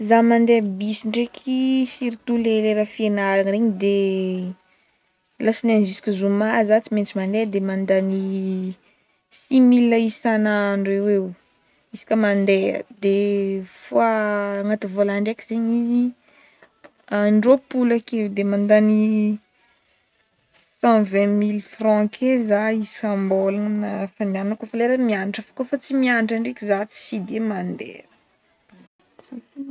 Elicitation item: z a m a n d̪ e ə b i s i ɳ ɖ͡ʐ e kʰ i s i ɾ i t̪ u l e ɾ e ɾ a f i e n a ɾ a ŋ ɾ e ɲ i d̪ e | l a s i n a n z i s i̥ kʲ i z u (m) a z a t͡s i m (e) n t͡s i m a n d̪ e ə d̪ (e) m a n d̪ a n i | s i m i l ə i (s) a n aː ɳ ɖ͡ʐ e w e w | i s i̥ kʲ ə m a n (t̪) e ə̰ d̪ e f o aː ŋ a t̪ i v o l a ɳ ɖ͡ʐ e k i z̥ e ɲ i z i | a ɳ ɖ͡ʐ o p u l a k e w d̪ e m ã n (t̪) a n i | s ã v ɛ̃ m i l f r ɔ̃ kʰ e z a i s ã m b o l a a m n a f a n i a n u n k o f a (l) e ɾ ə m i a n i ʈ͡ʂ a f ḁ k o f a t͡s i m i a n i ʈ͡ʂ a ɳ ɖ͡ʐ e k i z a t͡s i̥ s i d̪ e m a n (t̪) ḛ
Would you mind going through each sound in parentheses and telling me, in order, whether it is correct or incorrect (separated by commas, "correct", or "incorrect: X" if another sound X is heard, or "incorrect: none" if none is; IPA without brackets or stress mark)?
correct, correct, correct, correct, incorrect: d̪, incorrect: d̪, correct, incorrect: d̪